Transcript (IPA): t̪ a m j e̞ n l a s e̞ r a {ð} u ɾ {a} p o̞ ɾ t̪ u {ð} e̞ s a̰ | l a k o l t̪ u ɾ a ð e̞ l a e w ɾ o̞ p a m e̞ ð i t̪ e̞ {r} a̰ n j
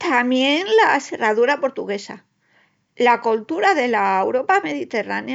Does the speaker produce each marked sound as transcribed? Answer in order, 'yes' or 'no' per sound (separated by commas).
yes, yes, no, yes